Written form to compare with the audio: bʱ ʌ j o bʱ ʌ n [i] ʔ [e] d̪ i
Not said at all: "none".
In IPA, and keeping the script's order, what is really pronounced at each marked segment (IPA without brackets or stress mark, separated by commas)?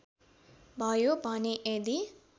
e, e